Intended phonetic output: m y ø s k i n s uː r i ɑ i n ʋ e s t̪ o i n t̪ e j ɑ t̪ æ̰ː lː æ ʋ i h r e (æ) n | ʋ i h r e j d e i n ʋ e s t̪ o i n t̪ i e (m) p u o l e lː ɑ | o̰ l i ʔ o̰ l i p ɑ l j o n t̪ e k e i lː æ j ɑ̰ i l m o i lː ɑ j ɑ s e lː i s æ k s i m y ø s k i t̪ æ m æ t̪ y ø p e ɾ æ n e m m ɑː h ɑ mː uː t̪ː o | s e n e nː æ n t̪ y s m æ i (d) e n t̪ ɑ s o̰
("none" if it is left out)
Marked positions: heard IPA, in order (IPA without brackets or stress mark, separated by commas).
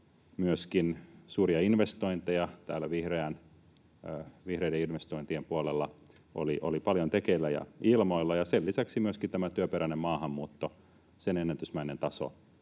æ, m, n